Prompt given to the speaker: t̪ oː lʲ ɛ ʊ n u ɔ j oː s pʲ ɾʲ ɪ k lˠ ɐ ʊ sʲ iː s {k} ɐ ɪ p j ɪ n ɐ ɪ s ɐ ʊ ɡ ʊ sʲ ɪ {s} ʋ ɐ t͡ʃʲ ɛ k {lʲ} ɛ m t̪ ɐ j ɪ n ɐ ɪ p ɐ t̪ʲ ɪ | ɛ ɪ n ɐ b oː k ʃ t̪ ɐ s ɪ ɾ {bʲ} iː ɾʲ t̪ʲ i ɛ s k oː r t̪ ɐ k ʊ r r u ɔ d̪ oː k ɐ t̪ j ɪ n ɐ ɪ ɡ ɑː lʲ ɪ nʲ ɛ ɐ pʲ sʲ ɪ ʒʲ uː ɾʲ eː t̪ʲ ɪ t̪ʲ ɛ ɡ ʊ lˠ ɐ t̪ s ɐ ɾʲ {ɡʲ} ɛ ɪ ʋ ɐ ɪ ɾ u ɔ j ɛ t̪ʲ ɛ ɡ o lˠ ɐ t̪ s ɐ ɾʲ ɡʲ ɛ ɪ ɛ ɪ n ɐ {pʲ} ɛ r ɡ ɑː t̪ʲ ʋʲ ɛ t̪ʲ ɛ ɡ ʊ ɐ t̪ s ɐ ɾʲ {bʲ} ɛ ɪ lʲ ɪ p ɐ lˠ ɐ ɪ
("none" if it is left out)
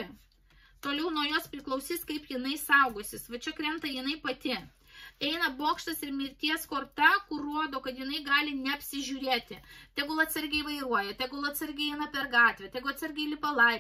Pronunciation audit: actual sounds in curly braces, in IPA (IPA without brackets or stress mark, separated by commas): k, s, ɾʲ, mʲ, ɡʲ, pʲ, ɡʲ